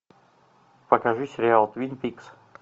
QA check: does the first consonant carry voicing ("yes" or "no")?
no